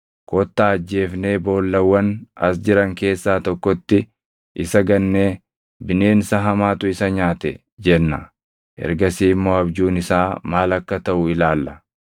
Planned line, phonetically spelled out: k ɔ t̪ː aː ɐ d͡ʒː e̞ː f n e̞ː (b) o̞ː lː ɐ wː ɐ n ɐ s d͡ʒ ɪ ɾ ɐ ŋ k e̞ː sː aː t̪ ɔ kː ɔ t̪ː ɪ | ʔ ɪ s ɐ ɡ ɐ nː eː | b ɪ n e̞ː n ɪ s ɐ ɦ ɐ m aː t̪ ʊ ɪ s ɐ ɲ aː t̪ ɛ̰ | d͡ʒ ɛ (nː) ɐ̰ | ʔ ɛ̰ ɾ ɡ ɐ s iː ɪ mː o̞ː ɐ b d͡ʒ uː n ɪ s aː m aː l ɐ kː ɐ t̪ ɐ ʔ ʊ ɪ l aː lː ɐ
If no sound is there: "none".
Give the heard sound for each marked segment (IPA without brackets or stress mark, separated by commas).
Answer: b, nː